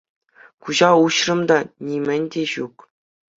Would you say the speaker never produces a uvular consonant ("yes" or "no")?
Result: yes